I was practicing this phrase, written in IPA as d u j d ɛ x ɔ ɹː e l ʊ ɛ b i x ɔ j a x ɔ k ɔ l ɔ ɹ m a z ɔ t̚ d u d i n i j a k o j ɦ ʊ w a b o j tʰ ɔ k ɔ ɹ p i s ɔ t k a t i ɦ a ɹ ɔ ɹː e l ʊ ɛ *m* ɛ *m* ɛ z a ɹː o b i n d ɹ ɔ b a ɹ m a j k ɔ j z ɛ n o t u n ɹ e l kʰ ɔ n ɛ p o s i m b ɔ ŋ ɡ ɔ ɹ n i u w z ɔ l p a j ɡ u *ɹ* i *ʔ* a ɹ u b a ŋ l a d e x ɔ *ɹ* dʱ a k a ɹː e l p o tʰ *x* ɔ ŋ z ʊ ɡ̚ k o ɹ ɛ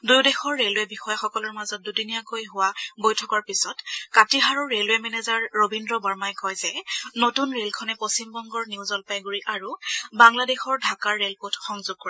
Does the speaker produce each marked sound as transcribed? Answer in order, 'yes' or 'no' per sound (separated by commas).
yes, no, yes, yes, yes, yes